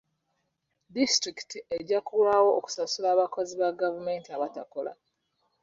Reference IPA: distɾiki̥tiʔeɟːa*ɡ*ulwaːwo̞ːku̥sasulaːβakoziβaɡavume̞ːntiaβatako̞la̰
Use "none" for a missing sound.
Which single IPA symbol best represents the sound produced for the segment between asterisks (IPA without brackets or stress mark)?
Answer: k